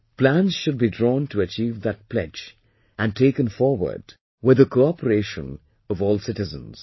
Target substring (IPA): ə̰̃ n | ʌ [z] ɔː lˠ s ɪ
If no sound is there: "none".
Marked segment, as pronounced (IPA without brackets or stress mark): v